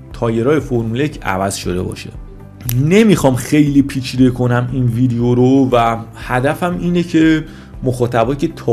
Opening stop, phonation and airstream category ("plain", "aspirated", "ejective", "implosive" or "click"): aspirated